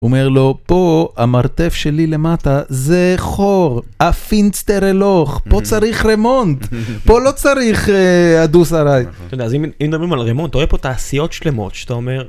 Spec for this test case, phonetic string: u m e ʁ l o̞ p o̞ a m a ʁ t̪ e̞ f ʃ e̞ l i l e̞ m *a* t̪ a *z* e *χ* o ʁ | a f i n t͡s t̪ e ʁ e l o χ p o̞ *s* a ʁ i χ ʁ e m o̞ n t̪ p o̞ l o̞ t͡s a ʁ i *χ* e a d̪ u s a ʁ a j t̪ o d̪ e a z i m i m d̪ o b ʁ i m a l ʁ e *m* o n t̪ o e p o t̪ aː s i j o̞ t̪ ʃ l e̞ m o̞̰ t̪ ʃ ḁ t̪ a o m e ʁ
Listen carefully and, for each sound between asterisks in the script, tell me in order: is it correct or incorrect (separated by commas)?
correct, correct, correct, incorrect, correct, correct